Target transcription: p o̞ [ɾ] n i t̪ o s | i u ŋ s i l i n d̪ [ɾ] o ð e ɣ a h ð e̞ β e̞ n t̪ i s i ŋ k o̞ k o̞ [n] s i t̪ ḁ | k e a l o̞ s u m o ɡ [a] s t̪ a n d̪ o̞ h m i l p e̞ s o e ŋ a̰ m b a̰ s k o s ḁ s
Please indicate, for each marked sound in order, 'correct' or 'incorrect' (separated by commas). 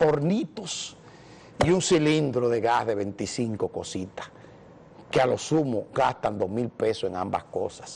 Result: correct, correct, incorrect, correct